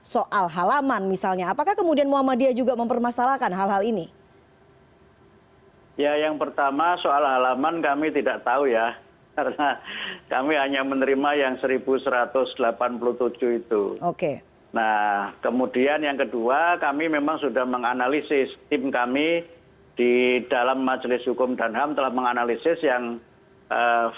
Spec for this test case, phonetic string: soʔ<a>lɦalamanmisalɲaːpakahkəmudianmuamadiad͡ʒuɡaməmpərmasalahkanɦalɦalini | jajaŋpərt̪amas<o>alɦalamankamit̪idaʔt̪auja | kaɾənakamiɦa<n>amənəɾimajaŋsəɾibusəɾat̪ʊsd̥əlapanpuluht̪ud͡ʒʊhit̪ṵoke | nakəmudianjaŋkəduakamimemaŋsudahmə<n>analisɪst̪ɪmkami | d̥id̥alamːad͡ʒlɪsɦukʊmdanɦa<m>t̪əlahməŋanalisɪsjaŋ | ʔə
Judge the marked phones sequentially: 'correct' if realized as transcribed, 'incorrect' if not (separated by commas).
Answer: correct, correct, incorrect, incorrect, correct